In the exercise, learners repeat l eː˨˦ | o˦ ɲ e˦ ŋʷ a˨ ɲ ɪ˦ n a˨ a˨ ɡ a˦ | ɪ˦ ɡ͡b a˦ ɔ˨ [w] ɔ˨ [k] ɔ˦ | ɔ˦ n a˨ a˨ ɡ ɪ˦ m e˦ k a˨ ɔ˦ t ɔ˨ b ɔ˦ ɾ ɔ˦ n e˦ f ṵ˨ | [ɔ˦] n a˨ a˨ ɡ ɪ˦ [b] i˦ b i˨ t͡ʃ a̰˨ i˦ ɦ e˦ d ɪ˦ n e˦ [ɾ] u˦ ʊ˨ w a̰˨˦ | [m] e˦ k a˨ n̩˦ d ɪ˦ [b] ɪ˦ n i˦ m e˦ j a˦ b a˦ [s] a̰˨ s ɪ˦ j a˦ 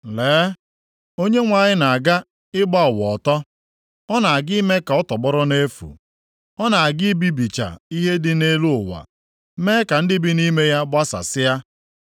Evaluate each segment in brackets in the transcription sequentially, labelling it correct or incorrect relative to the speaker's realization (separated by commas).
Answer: correct, incorrect, correct, correct, incorrect, correct, correct, correct